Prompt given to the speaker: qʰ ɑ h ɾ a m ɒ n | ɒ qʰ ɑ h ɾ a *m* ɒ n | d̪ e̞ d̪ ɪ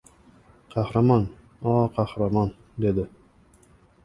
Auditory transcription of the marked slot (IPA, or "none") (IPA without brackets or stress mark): m